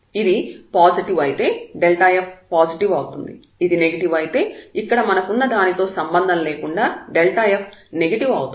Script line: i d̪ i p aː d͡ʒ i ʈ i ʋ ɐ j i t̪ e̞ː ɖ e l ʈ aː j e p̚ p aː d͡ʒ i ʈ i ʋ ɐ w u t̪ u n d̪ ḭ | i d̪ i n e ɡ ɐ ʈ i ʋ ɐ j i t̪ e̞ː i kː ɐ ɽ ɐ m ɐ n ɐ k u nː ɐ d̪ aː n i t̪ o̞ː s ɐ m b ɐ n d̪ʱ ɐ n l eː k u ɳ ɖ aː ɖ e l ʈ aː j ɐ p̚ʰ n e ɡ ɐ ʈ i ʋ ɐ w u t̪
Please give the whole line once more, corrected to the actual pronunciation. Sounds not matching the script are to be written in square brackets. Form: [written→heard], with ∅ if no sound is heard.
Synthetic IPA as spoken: i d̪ i p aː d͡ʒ i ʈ i ʋ ɐ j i t̪ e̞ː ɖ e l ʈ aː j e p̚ p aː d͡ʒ i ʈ i ʋ ɐ w u t̪ u n d̪ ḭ | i d̪ i n e ɡ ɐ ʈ i ʋ ɐ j i t̪ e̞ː i kː ɐ ɽ ɐ m ɐ n ɐ k u nː ɐ d̪ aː n i t̪ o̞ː s ɐ m b ɐ n d̪ʱ ɐ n l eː k u ɳ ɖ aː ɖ e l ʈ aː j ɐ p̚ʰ n e ɡ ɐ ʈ i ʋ ɐ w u t̪